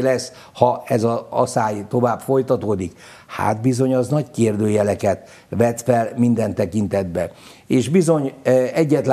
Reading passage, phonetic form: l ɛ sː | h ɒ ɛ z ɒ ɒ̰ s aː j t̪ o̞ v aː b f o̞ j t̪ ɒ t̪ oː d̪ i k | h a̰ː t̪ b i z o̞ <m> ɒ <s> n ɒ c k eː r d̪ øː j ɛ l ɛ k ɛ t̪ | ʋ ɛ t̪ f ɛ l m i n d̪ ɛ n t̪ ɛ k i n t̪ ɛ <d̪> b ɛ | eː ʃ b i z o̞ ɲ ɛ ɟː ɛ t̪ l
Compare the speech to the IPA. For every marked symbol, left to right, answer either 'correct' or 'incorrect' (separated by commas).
incorrect, incorrect, correct